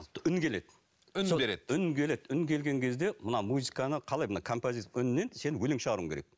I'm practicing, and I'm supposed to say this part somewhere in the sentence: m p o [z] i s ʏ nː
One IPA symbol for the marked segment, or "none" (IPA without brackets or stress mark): z